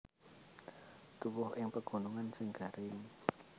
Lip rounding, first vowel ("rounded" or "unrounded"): rounded